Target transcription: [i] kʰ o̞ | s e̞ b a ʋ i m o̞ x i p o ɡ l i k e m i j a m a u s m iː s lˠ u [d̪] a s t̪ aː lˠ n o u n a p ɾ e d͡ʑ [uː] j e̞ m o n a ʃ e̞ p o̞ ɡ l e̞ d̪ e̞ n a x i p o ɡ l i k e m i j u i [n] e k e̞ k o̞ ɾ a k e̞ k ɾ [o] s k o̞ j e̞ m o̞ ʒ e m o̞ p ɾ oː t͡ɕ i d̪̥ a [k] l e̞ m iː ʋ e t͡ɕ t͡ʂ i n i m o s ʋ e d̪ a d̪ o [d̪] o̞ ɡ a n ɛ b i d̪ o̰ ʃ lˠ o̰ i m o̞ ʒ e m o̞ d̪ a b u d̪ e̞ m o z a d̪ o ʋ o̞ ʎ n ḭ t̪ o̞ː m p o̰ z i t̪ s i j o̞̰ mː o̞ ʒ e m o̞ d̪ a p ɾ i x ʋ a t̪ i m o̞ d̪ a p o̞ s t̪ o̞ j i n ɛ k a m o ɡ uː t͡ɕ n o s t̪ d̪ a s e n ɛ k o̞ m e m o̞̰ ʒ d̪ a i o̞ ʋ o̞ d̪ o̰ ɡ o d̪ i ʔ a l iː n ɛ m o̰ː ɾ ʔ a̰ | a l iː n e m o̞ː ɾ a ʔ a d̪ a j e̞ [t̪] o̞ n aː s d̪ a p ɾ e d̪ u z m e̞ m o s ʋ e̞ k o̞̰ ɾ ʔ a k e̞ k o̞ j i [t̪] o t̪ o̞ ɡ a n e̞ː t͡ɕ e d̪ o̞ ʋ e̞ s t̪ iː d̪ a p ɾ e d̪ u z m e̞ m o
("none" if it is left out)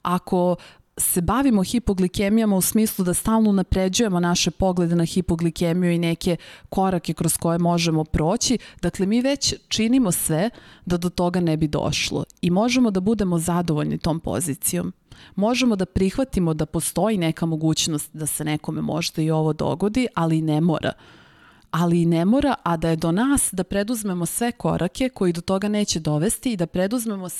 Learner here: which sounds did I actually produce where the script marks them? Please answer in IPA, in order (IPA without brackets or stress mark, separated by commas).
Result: a, d̪, u, n, o, k, t̪, d̪, d̪